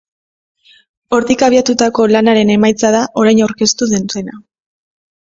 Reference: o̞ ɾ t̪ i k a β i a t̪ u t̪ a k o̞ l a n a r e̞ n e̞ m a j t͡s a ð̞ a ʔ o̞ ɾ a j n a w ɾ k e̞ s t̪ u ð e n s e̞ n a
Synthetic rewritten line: o̞ ɾ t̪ i k a β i a t̪ u t̪ a k o̞ l a n a ɾ e̞ n e̞ m a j t͡s a ð̞ a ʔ o̞ ɾ a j n a w ɾ k e̞ s t̪ u ð e n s e̞ n a